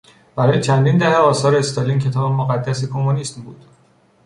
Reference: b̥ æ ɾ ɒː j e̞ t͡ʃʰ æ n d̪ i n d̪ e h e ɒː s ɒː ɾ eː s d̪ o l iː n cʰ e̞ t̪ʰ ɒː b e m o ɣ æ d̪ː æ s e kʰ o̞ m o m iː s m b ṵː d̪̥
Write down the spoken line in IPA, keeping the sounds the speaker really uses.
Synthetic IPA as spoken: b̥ æ ɾ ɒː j e̞ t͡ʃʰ æ n d̪ i n d̪ æ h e ɒː s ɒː ɾ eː s t̪ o l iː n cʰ e̞ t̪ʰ ɒː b e m o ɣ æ d̪ː æ s e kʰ o̞ m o n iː s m b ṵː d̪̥